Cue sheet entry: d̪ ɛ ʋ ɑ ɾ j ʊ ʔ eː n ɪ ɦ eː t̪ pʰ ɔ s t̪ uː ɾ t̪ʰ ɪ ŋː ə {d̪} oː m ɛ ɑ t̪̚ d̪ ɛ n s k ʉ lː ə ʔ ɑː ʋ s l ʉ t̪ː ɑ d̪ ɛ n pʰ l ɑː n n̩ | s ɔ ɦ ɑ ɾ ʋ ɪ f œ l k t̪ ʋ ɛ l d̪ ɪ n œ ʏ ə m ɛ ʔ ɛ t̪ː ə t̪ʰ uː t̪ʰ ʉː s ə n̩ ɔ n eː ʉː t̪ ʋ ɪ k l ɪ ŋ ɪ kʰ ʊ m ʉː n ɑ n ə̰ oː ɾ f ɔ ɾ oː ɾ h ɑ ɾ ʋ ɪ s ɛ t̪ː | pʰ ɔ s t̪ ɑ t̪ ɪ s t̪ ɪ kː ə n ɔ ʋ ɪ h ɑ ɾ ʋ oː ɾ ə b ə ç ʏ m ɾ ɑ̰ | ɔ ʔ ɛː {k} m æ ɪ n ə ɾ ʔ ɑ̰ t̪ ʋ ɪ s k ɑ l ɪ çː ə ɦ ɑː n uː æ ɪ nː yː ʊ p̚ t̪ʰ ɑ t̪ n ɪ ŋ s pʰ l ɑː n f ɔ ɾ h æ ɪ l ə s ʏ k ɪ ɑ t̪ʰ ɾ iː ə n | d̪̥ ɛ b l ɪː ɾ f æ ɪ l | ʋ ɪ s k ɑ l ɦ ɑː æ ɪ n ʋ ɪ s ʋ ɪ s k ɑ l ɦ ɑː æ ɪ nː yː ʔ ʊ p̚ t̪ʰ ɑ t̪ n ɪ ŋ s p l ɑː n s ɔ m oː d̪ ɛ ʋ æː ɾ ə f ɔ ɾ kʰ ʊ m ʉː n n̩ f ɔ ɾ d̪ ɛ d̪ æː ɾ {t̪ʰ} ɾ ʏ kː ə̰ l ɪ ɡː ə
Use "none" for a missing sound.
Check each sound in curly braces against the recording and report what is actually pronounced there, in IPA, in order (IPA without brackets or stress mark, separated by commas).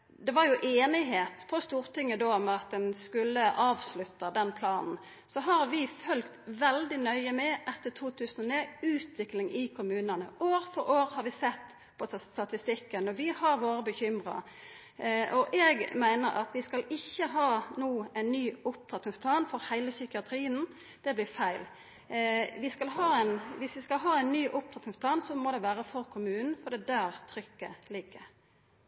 d̪, ɡ, t̪ʰ